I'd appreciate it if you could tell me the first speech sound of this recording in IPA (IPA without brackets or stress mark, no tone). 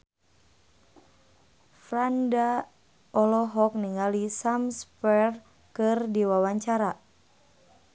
f